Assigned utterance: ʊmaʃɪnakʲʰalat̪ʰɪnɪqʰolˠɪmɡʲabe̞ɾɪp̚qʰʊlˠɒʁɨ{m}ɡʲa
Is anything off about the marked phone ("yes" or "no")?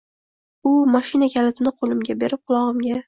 no